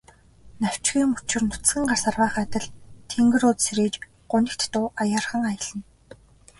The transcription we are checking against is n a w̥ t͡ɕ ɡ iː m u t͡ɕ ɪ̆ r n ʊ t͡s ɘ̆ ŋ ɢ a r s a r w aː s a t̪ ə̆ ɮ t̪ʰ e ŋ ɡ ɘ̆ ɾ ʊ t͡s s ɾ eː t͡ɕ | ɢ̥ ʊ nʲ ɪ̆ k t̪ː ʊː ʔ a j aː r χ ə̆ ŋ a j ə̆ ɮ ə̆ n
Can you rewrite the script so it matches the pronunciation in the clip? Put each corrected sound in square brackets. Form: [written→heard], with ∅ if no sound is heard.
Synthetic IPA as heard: n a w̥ t͡ɕ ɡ iː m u t͡ɕ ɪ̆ r n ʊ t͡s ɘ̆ ŋ ɢ a r s a r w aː [s→χ] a t̪ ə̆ ɮ t̪ʰ e ŋ ɡ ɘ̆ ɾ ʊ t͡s s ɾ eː t͡ɕ | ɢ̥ ʊ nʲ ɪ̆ k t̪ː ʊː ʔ a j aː r χ ə̆ ŋ a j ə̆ ɮ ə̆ n